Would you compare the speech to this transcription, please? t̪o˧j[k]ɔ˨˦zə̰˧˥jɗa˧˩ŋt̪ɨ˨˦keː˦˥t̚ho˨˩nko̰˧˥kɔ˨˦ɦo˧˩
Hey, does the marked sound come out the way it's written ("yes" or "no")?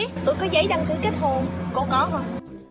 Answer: yes